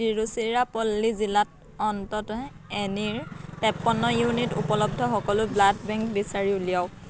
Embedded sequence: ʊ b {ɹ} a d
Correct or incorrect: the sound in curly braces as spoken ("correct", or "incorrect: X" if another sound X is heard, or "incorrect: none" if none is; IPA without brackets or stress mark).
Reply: incorrect: l